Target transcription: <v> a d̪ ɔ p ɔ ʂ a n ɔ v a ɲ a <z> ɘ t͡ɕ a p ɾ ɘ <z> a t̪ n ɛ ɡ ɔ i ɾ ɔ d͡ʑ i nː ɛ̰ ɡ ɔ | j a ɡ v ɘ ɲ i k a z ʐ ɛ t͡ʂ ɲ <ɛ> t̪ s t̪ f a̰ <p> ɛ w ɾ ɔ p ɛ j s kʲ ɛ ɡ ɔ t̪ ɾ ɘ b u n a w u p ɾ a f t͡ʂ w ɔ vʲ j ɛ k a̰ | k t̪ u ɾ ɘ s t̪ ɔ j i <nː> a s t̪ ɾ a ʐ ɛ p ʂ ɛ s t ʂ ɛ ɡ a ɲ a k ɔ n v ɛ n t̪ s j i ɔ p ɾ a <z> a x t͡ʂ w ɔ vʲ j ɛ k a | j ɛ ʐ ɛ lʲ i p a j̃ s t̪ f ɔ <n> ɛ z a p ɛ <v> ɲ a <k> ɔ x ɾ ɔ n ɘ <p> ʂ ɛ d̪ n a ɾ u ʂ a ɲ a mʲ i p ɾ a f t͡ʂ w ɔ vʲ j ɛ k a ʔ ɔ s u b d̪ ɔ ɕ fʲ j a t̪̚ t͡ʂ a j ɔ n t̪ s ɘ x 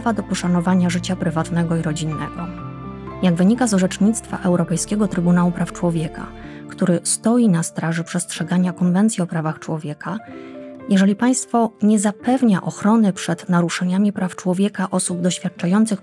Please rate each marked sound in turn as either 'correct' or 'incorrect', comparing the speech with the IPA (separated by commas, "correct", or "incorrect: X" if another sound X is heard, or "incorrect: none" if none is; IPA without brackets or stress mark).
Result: correct, incorrect: ʐ, incorrect: v, incorrect: i, incorrect: ʔ, incorrect: n, incorrect: v, incorrect: ɲ, correct, incorrect: ʔ, correct